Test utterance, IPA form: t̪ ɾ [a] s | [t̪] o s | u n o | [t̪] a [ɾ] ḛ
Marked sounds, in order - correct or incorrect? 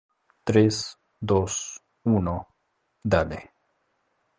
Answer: incorrect: e, incorrect: d̪, incorrect: d̪, incorrect: l

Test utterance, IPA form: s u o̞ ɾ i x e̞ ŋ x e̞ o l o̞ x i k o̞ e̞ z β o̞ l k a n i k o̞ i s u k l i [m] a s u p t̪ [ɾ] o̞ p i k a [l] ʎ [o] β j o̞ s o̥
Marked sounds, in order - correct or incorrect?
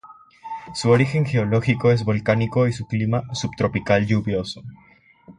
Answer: correct, correct, correct, incorrect: u

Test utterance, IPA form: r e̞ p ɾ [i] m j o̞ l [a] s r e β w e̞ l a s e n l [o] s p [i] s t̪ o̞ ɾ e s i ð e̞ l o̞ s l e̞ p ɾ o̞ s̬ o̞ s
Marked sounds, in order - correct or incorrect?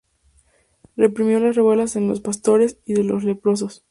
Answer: correct, correct, correct, incorrect: a

